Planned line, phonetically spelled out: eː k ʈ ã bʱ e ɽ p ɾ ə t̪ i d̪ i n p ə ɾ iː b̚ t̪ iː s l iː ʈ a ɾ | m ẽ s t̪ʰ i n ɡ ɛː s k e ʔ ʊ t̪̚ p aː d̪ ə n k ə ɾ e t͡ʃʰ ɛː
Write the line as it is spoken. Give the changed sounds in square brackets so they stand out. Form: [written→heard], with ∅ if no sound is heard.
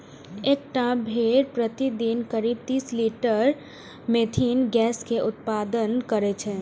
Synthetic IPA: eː k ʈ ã bʱ e [ɽ→ɾ] p ɾ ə t̪ i d̪ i n [p→k] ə ɾ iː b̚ t̪ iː s l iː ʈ [a→ə] ɾ | m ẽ [s→∅] t̪ʰ i n ɡ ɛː s k e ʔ ʊ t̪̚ p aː d̪ ə n k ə ɾ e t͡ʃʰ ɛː

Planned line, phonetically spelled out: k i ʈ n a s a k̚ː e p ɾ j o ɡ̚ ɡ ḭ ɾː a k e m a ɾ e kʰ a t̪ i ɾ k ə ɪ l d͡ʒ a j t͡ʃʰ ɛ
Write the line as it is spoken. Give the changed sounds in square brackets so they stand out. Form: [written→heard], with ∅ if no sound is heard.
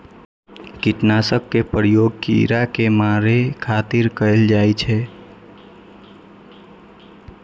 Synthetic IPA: k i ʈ n a s [a→ə] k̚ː e p ɾ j o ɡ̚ [ɡ→k] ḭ [ɾː→ɾ] a k e m a ɾ e kʰ a t̪ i ɾ k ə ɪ l d͡ʒ a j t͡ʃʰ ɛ

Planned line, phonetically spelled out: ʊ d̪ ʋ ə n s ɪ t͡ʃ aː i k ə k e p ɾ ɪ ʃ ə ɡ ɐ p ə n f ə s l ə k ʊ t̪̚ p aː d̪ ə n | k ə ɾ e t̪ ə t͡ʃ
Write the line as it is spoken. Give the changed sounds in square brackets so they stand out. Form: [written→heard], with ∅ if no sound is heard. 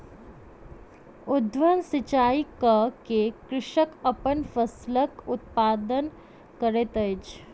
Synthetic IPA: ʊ d̪ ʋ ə n s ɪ t͡ʃ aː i k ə k e [p→k] ɾ ɪ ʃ ə [ɡ→k] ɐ p ə n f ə s l ə k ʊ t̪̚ p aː d̪ ə n | k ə ɾ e t̪ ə t͡ʃ

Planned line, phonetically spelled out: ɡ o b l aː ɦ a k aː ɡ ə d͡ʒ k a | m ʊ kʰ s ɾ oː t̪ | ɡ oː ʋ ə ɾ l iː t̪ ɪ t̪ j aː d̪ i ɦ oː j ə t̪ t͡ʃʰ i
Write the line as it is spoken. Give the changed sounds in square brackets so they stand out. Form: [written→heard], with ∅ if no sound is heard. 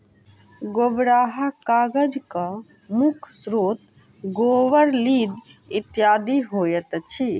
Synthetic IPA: ɡ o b [l→ɾ] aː ɦ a k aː ɡ ə d͡ʒ k a | m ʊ kʰ s ɾ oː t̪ | ɡ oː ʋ ə ɾ l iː [t̪→d̪] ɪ t̪ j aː d̪ i ɦ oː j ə t̪ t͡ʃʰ i

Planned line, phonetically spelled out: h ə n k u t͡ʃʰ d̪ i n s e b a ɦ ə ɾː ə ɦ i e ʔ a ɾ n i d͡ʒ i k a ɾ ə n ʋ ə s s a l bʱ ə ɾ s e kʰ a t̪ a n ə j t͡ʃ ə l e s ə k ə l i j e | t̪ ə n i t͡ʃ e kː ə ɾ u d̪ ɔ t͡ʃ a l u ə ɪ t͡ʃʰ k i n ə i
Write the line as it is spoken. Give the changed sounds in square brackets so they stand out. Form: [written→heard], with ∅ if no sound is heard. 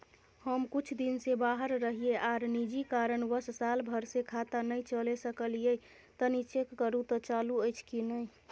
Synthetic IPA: h ə [n→m] k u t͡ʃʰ d̪ i n s e b a ɦ ə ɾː ə ɦ i e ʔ a ɾ n i d͡ʒ i k a ɾ ə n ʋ ə s s a l bʱ ə ɾ s e kʰ a t̪ a n ə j t͡ʃ ə l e s ə k ə l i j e | t̪ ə n i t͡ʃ e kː ə ɾ u [d̪→t̪] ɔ t͡ʃ a l u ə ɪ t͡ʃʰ k i n ə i

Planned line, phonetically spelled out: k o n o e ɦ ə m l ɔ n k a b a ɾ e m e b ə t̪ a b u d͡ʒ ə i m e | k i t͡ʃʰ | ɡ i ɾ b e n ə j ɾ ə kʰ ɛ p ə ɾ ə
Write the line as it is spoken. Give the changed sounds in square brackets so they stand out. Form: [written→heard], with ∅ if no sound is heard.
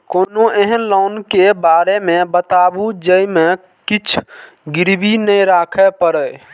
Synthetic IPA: k o n o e ɦ ə [m→n] l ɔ n k [a→e] b a ɾ e m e b ə t̪ a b u d͡ʒ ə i m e | k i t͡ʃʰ | ɡ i ɾ b [e→i] n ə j ɾ [ə→a] kʰ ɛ p ə ɾ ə

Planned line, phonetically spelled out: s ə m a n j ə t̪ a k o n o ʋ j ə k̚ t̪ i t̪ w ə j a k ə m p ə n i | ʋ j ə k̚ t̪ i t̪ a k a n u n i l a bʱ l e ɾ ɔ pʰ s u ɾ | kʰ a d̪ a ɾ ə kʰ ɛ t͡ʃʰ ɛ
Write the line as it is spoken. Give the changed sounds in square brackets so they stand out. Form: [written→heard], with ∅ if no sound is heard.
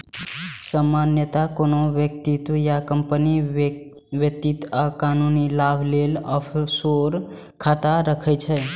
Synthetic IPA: s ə m a n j ə t̪ a k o n o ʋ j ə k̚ t̪ i t̪ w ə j a k ə m p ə n i | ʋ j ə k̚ t̪ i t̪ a k a n u n i l a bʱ l e [ɾ→l] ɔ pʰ s [u→o] ɾ | kʰ a [d̪→t̪] a ɾ ə kʰ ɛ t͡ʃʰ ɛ

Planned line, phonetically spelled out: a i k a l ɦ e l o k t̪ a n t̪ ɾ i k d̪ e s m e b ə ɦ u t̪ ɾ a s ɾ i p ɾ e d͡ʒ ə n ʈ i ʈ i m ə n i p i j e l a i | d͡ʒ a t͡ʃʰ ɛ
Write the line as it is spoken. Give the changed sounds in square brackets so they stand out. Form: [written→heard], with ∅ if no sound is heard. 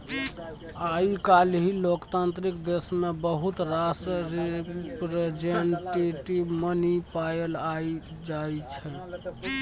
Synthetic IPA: a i k a l ɦ [e→i] l o k t̪ a n t̪ ɾ i k d̪ e s m e b ə ɦ u t̪ ɾ a s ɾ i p ɾ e d͡ʒ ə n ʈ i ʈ i m ə n i p [i→a] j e l a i | d͡ʒ a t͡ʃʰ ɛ

